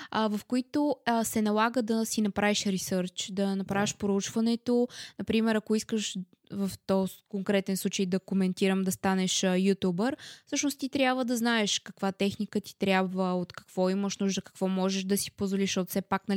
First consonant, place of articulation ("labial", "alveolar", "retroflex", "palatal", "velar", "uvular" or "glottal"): labial